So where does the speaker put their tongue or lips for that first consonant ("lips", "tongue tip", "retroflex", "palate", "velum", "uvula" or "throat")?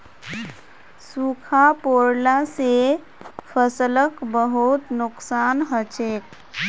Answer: tongue tip